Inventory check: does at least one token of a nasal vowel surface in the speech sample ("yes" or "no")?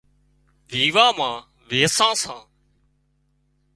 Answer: yes